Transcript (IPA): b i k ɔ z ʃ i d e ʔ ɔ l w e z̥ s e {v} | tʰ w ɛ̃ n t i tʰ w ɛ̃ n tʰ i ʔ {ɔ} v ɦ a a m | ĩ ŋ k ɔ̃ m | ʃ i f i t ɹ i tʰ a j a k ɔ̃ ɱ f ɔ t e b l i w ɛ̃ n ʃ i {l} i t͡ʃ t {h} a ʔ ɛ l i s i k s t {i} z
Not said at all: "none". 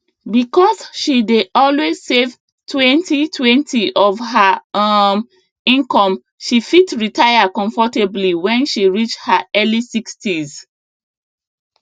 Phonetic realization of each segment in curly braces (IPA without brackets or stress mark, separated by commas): v, ɔ, ɹ, h, i